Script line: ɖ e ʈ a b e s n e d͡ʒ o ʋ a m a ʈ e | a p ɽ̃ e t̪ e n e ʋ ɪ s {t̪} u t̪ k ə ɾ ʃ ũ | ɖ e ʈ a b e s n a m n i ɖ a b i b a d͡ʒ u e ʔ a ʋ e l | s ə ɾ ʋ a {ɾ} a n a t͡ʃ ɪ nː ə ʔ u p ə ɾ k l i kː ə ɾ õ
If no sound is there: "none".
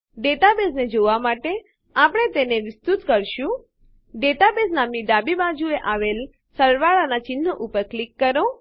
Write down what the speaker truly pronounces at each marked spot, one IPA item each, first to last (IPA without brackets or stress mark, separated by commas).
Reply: t̪, ɭ